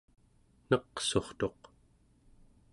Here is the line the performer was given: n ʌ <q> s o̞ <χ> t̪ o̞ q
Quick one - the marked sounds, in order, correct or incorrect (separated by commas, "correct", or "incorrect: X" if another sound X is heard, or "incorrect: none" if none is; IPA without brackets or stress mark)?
correct, correct